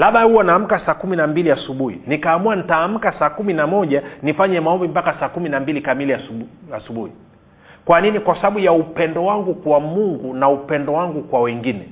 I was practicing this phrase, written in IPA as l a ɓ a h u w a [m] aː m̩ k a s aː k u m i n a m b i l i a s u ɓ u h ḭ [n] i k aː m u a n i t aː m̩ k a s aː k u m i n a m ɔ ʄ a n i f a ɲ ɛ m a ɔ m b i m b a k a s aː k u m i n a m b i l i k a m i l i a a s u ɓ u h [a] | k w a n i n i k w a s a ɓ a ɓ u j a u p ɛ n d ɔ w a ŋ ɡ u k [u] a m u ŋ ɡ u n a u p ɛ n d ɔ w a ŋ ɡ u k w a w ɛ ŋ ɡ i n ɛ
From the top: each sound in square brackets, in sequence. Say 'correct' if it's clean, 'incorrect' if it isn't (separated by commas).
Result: incorrect, correct, incorrect, incorrect